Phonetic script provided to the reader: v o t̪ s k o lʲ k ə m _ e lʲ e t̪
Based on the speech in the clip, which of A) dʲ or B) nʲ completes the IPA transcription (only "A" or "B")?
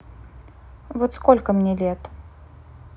B